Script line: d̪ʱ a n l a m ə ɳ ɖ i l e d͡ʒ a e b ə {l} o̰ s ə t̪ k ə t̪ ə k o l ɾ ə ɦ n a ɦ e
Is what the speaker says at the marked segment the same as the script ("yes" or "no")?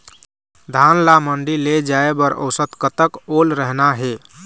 no